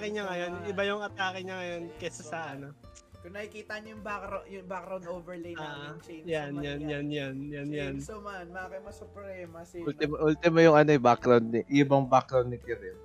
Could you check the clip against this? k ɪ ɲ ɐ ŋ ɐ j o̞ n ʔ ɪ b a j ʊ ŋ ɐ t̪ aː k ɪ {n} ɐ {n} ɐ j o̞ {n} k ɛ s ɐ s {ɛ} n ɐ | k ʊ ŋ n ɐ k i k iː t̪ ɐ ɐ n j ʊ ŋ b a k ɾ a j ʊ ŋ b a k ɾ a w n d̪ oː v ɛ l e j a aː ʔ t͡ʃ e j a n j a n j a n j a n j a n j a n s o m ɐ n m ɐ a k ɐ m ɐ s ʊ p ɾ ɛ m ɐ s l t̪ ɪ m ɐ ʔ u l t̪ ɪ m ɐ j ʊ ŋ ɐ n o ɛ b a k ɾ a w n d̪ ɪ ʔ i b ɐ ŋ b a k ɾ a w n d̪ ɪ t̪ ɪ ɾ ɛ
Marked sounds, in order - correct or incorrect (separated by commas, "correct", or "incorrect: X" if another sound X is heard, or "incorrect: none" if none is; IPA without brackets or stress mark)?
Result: incorrect: ɲ, incorrect: ŋ, correct, incorrect: a